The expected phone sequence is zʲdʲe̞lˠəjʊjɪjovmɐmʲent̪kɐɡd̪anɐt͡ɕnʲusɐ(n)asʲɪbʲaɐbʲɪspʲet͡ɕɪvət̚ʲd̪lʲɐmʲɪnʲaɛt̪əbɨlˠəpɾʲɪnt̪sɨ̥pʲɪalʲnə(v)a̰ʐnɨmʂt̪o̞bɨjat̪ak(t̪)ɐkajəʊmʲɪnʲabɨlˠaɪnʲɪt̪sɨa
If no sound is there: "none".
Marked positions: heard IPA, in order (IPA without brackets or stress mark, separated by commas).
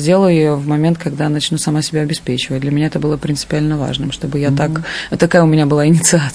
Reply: m, v, t̪